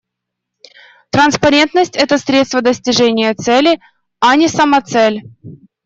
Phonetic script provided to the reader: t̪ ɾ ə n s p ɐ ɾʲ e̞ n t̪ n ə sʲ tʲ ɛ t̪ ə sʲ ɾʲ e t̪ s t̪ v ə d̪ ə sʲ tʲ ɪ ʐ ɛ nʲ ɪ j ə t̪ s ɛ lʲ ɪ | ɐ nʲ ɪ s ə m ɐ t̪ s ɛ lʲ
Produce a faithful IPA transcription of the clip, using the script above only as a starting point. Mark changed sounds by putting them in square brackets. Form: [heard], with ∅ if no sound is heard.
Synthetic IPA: t̪ ɾ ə n s p ɐ ɾʲ e̞ n t̪ n ə sʲ tʲ ɛ t̪ ə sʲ ɾʲ e t̪ s t̪ v ə d̪ ə sʲ tʲ ɪ ʐ ɛ nʲ ɪ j ə t̪ s ɛ lʲ ɪ | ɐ nʲ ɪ s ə m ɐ t̪ s ɛ lʲ